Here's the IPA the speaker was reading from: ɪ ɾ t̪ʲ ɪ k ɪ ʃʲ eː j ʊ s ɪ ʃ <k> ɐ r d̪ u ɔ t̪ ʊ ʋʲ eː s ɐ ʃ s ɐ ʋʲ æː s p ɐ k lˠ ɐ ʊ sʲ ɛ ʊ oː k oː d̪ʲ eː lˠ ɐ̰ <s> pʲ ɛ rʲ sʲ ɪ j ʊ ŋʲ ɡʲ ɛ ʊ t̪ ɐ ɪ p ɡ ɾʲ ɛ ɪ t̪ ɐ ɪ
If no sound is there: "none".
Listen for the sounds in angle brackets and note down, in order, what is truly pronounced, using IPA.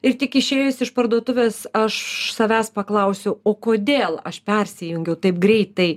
p, ʃ

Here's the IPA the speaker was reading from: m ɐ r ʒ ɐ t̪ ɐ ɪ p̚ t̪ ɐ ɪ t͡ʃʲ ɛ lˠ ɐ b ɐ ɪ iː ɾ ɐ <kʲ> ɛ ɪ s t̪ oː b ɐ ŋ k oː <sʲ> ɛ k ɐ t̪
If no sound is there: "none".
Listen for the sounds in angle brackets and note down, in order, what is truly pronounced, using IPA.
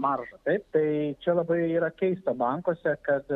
kʲ, sʲ

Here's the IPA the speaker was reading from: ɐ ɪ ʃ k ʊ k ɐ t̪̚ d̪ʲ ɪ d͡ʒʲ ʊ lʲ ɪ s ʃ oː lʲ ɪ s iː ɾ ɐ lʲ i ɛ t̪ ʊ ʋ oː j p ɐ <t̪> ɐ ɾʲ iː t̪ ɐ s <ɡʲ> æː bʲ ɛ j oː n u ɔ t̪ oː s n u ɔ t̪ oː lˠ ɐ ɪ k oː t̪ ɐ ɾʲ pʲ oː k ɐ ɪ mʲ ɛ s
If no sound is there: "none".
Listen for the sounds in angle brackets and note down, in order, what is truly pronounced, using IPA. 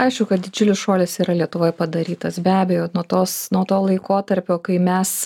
d̪, bʲ

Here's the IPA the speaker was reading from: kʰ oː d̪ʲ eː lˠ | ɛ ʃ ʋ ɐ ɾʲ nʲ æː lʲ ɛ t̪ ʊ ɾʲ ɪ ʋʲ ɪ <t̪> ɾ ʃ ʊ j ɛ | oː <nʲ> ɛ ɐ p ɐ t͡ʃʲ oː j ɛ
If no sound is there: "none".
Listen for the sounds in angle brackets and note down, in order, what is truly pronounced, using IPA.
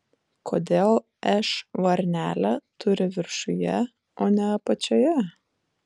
none, nʲ

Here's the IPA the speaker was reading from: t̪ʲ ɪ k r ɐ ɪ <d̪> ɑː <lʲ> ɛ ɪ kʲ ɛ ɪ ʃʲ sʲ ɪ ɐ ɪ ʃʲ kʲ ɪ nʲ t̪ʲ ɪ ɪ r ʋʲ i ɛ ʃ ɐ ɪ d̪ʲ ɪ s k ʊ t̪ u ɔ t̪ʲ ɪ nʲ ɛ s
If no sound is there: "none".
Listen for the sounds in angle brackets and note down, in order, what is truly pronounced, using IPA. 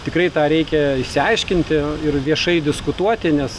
t̪, ɾʲ

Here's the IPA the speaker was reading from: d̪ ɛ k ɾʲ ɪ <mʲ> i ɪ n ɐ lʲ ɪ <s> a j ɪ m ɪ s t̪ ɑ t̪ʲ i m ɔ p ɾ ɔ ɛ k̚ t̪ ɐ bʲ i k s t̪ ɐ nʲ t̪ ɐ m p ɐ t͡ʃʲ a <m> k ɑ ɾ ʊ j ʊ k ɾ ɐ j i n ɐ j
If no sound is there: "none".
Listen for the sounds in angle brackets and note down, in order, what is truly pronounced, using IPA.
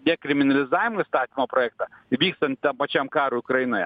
mʲ, z, m

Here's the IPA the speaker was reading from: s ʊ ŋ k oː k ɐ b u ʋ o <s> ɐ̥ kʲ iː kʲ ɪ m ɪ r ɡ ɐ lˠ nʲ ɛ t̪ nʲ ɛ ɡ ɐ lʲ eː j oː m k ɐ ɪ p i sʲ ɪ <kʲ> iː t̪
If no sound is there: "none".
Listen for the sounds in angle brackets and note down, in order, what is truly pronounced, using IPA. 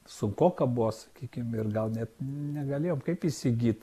s, ɡʲ

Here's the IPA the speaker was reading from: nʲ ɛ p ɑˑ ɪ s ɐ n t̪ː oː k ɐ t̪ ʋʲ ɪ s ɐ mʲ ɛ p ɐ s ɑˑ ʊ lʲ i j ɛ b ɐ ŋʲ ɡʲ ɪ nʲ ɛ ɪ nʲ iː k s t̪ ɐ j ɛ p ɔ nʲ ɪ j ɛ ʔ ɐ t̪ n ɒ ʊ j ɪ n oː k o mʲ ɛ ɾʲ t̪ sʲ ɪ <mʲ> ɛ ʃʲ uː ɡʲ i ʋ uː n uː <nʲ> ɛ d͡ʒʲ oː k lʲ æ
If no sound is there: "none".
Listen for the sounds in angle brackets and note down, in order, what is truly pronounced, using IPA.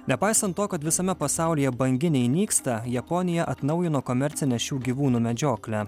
nʲ, mʲ

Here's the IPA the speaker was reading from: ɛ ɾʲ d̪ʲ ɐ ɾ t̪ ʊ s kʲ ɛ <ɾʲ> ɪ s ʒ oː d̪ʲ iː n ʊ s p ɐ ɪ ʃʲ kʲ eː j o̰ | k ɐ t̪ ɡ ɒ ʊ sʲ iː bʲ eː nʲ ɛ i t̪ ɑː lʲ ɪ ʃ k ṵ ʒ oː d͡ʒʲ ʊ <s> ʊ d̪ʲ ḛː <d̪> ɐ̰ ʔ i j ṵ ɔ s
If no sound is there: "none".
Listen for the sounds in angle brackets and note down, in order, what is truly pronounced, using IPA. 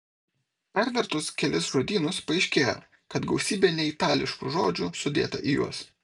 lʲ, s, t̪

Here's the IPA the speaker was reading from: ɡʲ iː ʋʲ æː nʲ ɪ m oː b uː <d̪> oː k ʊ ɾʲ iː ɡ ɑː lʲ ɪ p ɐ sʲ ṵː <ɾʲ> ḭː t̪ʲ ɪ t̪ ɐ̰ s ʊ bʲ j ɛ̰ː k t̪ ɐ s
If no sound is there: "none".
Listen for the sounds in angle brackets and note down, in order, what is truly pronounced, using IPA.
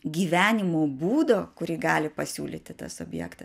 d̪, lʲ

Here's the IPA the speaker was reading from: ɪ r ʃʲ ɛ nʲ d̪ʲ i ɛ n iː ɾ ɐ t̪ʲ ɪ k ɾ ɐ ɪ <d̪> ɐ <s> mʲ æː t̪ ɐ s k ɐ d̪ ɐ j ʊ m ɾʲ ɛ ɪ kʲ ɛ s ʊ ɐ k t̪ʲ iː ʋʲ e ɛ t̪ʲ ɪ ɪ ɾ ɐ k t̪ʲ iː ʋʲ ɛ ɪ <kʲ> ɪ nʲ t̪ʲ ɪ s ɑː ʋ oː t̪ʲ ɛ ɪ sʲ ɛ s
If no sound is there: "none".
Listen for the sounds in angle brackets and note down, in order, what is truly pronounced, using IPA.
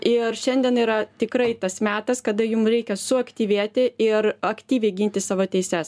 t̪, s, ɡʲ

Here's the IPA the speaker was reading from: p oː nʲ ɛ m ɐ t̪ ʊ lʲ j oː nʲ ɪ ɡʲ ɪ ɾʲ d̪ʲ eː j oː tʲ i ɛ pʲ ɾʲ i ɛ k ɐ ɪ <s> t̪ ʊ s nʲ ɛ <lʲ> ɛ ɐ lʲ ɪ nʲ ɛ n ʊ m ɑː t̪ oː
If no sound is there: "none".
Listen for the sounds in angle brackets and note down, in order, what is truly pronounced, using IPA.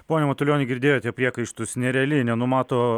ʃ, ɾʲ

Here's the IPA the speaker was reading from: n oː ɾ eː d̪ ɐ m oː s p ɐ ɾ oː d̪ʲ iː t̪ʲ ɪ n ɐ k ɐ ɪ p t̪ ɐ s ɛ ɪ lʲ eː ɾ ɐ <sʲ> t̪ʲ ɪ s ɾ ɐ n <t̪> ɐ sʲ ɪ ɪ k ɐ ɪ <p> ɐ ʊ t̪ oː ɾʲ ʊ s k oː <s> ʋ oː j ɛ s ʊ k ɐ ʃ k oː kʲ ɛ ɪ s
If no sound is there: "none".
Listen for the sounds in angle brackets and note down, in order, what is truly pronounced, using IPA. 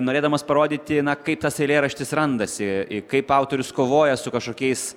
ʃʲ, d̪, p, none

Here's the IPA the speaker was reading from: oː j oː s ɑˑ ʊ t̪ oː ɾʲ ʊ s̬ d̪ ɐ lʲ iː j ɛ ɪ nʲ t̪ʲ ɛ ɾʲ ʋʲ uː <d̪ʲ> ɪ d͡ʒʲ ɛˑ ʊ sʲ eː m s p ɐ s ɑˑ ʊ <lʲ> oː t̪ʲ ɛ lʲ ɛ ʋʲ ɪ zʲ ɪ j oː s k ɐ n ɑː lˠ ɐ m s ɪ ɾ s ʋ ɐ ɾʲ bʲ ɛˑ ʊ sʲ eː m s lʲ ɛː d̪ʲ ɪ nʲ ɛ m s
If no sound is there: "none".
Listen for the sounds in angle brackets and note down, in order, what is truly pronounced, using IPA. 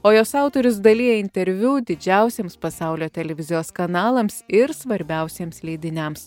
d̪ʲ, lʲ

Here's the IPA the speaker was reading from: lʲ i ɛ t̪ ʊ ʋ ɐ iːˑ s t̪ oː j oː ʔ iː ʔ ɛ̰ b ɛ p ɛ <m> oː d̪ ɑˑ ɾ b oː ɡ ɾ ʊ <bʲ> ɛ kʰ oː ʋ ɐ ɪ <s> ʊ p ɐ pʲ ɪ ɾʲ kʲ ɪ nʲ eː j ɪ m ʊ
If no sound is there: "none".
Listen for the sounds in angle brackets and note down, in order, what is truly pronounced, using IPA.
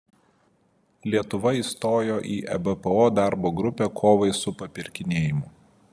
none, pʲ, s

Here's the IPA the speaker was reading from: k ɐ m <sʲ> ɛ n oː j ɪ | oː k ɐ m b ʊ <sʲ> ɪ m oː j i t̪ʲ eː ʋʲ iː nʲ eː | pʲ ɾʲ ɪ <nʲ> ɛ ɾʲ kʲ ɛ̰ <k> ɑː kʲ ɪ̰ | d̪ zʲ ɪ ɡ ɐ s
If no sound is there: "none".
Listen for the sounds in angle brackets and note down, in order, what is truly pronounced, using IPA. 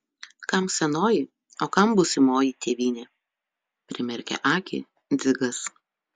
sʲ, sʲ, mʲ, ʔ

